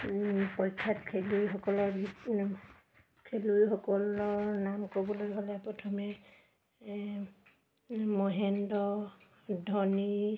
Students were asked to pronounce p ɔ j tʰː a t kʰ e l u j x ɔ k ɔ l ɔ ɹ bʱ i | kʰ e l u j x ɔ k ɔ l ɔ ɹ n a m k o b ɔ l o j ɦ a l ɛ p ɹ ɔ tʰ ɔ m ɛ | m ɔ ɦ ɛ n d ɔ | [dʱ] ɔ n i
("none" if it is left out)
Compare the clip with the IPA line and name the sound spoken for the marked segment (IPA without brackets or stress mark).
dʱ